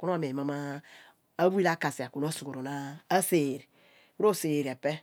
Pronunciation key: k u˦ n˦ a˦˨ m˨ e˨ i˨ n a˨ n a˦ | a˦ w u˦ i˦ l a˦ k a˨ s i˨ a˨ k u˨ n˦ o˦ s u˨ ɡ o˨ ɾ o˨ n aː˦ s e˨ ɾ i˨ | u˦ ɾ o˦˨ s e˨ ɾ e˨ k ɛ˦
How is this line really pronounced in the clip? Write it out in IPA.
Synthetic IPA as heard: k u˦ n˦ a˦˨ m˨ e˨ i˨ m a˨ m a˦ | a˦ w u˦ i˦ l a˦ k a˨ s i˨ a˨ k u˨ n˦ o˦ s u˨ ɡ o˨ ɾ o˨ n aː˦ s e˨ ɾ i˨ | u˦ ɾ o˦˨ s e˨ ɾ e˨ p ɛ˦

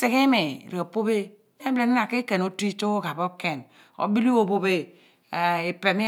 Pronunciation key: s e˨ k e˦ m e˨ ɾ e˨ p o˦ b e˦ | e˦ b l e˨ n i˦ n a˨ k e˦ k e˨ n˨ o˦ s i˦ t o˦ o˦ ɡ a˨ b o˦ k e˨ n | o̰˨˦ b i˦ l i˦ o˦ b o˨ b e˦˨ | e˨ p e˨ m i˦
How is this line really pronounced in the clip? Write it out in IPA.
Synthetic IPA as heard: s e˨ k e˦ m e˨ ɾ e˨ p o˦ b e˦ | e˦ b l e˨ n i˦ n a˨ k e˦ k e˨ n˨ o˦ t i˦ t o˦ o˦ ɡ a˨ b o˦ k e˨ n | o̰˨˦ b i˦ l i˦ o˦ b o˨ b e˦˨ | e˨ p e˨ m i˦

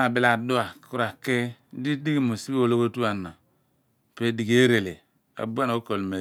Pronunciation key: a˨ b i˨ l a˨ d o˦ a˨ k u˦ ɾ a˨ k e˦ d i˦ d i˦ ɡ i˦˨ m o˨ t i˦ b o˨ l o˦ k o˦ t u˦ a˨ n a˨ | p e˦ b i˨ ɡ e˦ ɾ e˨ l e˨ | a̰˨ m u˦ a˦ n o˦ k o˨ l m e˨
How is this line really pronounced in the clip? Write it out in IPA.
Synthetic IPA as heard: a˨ b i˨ l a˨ d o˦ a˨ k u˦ ɾ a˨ k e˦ d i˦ d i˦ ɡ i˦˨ m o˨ s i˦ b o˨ l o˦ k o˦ t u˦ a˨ n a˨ | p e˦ d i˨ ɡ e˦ ɾ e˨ l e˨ | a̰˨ b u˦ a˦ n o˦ k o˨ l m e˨

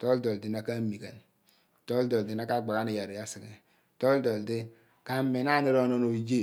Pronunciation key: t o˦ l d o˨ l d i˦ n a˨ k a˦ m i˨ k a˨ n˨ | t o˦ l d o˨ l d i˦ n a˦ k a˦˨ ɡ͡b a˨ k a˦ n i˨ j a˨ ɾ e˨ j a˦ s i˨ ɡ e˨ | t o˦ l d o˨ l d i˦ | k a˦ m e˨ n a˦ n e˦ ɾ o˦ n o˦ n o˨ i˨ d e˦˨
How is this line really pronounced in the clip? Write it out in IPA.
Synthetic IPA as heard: t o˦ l d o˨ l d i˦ n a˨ k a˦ m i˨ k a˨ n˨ | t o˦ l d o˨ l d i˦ n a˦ k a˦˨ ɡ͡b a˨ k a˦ n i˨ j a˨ ɾ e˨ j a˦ s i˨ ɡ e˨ | t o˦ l d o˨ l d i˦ | k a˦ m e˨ n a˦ n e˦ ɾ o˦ n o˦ n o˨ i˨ d͡ʒ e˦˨

